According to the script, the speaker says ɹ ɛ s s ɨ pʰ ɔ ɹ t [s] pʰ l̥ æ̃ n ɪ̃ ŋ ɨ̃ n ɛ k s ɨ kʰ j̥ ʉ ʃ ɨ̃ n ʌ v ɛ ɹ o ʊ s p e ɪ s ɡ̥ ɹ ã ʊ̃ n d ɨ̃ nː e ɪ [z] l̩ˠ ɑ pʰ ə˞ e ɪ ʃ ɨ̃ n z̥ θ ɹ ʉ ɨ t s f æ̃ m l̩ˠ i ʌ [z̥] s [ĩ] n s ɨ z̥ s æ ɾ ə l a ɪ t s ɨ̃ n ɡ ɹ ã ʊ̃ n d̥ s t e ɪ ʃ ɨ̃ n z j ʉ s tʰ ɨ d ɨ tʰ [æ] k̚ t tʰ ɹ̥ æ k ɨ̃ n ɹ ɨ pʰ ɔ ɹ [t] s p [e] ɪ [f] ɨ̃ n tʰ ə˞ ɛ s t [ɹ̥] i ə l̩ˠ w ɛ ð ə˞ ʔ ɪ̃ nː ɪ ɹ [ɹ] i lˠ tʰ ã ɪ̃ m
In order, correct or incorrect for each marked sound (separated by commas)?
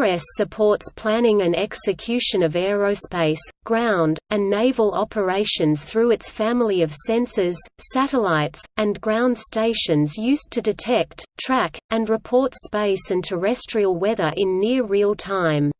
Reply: correct, incorrect, incorrect, incorrect, incorrect, correct, correct, incorrect, correct, correct